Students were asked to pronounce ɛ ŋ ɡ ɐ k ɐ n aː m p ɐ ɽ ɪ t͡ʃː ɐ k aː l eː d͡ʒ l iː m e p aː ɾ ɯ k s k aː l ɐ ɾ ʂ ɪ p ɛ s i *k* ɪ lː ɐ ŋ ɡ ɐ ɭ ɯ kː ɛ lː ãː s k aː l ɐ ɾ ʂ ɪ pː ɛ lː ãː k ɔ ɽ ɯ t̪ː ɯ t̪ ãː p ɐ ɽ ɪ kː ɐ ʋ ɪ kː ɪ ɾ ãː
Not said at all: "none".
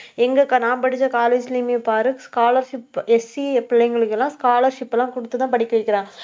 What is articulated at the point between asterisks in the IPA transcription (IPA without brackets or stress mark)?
p